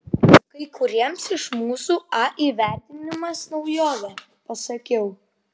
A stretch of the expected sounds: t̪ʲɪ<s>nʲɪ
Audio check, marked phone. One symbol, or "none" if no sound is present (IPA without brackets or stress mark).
none